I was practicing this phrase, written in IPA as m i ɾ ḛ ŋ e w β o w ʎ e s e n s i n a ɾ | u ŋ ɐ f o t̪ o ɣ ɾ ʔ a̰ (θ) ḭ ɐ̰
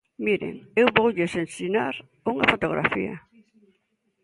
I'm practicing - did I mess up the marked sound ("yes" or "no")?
yes